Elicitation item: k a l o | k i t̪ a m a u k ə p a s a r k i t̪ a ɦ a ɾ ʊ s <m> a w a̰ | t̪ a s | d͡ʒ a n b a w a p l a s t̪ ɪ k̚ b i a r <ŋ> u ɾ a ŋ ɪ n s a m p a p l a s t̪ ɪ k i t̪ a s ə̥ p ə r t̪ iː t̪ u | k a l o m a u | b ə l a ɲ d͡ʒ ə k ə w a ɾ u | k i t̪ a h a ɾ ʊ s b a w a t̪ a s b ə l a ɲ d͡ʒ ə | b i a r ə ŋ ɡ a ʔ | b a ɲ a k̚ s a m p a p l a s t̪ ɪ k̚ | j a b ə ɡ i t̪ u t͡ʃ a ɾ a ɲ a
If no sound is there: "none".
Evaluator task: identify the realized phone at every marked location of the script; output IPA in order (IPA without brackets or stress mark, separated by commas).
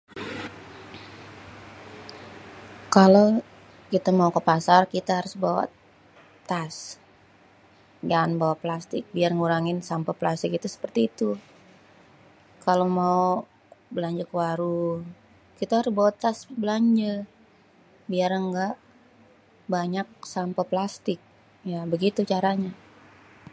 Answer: b, ŋ